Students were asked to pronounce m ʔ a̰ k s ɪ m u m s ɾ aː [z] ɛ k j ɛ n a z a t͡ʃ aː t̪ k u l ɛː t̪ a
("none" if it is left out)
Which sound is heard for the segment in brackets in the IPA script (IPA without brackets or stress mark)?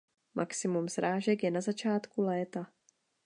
ʒ